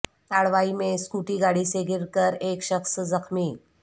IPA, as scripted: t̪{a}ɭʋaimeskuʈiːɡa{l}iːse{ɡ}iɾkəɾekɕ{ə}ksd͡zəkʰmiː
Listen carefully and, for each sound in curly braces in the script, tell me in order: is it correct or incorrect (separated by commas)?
correct, incorrect, correct, correct